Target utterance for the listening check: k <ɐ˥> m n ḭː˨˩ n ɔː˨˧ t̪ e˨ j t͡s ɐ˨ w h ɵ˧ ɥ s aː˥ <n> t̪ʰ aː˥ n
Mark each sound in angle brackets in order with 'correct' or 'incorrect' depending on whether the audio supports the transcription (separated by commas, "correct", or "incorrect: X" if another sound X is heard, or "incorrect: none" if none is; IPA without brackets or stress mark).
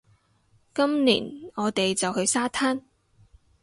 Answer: correct, incorrect: none